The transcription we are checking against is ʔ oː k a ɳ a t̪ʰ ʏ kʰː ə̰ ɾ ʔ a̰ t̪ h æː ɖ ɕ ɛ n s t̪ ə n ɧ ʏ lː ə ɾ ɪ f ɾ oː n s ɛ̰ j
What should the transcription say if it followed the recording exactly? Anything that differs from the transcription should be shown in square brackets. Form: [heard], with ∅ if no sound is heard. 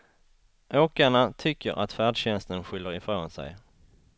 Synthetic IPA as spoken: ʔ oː k a ɳ a t̪ʰ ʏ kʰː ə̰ ɾ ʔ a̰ t̪ [f] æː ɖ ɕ ɛ n s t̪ ə n ɧ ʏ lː ə ɾ ɪ f ɾ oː n s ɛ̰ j